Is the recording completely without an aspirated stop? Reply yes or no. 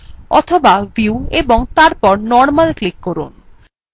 no